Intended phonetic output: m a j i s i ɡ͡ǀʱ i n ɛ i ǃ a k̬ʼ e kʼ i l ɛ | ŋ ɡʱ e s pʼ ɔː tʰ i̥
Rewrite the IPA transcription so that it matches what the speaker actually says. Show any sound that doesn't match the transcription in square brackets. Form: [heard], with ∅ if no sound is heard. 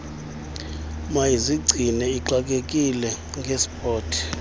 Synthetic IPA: m a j i [z] i ɡ͡ǀʱ i n ɛ i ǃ a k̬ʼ e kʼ i l ɛ | ŋ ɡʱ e s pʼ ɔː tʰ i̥